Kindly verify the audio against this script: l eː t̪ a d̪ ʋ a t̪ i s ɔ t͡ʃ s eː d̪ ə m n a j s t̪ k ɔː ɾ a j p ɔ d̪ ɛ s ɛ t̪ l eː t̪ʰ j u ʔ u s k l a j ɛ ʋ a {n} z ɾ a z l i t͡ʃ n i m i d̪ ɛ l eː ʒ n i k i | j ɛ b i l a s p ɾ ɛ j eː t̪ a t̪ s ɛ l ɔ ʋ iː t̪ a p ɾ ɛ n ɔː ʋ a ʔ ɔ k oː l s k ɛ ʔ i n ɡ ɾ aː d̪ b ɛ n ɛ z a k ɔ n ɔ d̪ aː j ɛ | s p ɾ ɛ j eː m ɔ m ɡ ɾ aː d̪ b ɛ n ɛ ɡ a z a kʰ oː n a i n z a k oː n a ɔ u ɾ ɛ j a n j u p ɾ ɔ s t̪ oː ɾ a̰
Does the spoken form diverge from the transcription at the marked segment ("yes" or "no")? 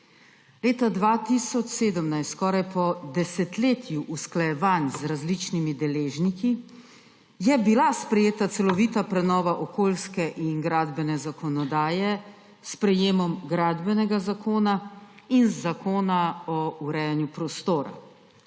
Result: no